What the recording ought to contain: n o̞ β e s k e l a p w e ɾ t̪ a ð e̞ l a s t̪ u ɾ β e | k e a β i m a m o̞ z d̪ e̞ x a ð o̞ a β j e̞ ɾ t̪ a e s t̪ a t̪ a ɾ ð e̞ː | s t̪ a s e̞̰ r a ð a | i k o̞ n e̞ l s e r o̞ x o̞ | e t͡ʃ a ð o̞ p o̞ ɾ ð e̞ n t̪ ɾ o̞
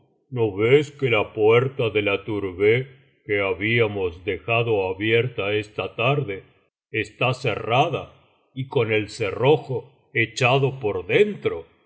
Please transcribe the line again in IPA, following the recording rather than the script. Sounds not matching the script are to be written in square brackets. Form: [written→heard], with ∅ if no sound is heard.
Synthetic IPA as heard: n o̞ β e s k e l a p w e ɾ t̪ a ð e̞ l a [s→∅] t̪ u ɾ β e | k e a β i [m→∅] a m o̞ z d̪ e̞ x a ð o̞ a β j e̞ ɾ t̪ a e s t̪ a t̪ a ɾ ð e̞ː | s t̪ a s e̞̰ r a ð a | i k o̞ n e̞ l s e r o̞ x o̞ | e t͡ʃ a ð o̞ p o̞ ɾ ð e̞ n t̪ ɾ o̞

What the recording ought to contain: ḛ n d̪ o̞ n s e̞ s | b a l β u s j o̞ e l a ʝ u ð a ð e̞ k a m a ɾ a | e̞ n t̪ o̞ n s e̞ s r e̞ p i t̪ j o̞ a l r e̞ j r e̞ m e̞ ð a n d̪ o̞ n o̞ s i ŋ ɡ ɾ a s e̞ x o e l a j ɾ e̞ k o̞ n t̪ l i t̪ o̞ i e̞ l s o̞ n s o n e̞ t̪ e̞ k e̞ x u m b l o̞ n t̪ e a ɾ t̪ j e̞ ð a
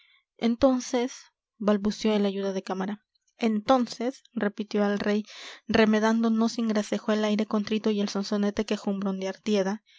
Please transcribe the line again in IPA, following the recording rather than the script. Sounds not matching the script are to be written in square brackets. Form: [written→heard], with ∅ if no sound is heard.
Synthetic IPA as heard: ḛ n [d̪→t̪] o̞ n s e̞ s | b a l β u s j o̞ e l a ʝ u ð a ð e̞ k a m a ɾ a | e̞ n t̪ o̞ n s e̞ s r e̞ p i t̪ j o̞ a l r e̞ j r e̞ m e̞ ð a n d̪ o̞ n o̞ s i ŋ ɡ ɾ a s e̞ x o e l a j ɾ e̞ k o̞ n t̪ [l→ɾ] i t̪ o̞ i e̞ l s o̞ n s o n e̞ t̪ e̞ k e̞ x u m b [l→ɾ] o̞ n [t̪→d̪] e a ɾ t̪ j e̞ ð a

